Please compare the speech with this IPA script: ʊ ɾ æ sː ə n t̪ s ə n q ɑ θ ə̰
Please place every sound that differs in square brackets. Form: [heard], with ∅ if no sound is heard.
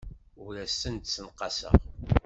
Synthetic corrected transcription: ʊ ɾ æ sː ə n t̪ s ə n q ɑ [s] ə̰